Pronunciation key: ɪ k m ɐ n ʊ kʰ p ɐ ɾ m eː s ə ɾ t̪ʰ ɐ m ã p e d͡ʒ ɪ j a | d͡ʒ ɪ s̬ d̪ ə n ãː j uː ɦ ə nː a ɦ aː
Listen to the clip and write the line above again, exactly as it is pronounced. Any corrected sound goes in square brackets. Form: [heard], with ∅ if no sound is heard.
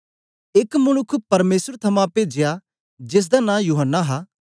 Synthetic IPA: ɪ k m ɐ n ʊ kʰ p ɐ ɾ m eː s ə ɾ t̪ʰ ɐ m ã p e d͡ʒ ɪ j a | d͡ʒ ɪ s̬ d̪ [a] n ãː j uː ɦ ə nː a ɦ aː